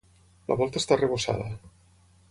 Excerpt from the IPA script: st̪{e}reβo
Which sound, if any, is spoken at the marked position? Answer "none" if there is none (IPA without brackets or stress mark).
a